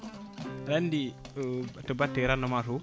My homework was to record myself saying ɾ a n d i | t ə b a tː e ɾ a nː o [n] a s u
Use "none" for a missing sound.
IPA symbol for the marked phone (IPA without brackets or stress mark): m